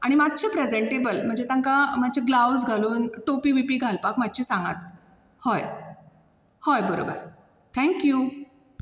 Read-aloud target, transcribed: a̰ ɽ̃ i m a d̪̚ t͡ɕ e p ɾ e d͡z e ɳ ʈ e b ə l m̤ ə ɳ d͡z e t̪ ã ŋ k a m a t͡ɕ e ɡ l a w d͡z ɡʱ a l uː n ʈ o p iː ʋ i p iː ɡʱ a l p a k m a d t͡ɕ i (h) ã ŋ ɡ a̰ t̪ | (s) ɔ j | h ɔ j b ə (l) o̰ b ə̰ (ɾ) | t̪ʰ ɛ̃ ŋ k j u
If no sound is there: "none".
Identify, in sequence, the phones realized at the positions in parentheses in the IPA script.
s, h, ɾ, ɾ

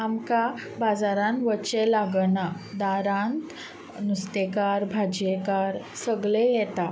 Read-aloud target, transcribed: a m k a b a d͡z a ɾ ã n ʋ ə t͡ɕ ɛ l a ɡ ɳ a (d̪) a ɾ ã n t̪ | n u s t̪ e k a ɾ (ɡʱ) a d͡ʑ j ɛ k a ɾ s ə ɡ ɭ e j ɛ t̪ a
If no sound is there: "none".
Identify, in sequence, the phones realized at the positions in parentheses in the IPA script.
d̪, bʱ

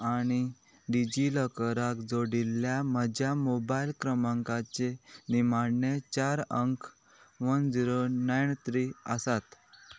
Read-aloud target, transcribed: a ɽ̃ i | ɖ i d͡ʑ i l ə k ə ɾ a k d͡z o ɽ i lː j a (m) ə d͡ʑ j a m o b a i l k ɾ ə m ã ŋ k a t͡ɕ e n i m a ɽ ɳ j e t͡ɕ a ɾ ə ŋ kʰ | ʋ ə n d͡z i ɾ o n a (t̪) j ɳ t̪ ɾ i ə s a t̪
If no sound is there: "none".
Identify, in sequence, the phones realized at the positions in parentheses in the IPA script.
m, none

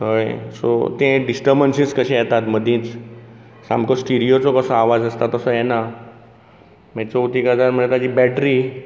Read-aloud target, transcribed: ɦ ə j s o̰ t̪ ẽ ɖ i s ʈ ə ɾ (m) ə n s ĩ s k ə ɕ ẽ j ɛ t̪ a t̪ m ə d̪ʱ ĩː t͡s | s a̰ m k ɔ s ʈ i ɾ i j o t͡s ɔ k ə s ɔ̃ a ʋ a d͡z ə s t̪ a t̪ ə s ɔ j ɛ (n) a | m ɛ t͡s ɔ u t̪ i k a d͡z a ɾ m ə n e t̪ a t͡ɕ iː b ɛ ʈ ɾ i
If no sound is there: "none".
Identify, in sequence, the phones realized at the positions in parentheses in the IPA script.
b, n

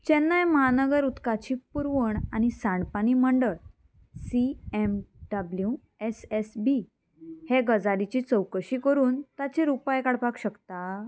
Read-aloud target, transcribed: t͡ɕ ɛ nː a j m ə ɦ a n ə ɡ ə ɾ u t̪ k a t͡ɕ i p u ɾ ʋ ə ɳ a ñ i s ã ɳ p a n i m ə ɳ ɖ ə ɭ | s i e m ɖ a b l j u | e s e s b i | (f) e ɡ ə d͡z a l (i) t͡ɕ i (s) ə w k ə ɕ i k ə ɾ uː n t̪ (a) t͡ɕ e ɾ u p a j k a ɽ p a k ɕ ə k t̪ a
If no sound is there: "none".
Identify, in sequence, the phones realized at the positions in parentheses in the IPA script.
h, i, t͡s, a

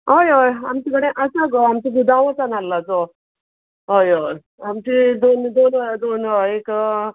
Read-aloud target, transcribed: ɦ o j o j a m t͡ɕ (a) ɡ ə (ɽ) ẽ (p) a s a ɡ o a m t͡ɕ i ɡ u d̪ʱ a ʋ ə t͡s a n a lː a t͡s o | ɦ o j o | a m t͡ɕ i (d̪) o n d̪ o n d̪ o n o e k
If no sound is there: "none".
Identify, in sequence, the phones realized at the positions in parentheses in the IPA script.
i, ɽ, ʔ, d̪

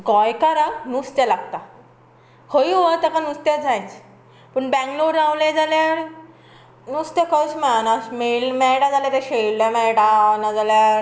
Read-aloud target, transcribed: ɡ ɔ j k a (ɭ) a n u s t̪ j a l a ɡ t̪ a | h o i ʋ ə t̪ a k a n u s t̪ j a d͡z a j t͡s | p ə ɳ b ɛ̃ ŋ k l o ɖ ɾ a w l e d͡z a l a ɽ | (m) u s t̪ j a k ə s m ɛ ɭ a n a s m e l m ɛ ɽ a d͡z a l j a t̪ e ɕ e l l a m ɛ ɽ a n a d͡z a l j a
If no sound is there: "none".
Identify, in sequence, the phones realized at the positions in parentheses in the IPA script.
ɾ, n

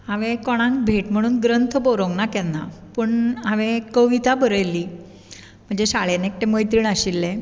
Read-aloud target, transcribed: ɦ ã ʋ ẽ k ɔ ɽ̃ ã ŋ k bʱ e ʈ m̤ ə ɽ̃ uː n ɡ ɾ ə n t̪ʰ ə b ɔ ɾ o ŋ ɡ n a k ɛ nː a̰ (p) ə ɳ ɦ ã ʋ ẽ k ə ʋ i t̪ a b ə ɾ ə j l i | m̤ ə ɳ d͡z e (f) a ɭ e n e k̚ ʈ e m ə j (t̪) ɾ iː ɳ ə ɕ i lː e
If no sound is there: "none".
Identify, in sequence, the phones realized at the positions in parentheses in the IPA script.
p, ɕ, t̪

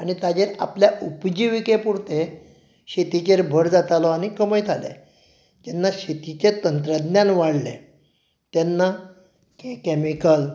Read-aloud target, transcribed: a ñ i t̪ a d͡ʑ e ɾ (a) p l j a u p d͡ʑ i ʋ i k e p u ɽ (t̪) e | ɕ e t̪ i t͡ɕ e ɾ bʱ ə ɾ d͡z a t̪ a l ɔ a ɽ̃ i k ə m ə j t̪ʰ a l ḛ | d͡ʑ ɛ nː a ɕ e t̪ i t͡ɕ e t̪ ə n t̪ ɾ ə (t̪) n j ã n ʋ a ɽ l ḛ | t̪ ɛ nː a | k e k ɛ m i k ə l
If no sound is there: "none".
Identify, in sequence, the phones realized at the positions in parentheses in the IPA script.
a, t̪, d̪

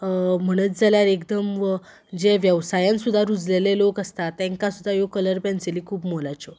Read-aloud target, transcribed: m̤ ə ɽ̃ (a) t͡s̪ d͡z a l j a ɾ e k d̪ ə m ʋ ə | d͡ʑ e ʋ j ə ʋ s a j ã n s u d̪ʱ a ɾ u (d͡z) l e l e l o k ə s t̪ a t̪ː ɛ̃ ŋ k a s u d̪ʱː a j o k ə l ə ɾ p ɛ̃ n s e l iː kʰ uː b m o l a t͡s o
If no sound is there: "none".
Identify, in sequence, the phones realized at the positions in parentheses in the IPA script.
ə, d͡z

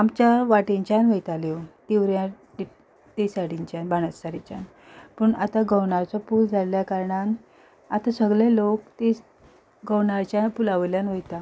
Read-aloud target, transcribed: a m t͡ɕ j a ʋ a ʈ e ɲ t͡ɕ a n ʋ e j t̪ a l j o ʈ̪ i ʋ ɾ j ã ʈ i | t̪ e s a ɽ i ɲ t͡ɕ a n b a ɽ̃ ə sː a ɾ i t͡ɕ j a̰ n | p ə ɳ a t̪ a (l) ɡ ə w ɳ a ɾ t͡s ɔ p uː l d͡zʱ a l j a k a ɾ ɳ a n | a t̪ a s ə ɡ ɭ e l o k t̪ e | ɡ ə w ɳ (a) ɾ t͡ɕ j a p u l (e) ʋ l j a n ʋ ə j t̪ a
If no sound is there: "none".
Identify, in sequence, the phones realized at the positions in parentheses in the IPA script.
none, a, a

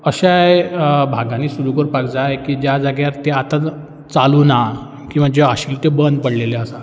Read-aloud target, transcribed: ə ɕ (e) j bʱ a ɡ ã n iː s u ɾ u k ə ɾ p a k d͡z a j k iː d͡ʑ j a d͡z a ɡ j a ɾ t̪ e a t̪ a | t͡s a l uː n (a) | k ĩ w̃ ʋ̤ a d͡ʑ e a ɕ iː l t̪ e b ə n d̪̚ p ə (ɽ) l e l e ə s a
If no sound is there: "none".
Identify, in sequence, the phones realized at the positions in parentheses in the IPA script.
a, a, ɽ

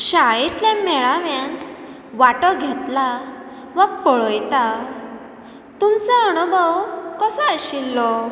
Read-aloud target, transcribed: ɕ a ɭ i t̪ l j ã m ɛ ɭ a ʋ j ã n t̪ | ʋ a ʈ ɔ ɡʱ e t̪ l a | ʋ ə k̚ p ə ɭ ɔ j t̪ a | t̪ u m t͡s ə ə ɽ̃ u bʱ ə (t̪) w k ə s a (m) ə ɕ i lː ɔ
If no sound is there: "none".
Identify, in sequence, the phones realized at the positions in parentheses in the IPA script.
none, none

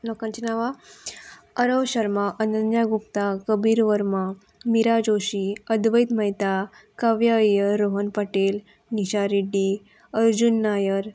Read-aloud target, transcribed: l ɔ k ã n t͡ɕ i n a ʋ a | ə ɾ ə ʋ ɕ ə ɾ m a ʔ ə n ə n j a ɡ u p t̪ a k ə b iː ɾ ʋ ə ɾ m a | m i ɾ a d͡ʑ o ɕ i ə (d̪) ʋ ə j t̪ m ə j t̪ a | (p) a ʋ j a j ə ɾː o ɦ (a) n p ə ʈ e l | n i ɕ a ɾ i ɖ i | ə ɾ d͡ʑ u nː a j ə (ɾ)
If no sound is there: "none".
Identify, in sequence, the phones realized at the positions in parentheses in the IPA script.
d̪, k, ə, ɾ

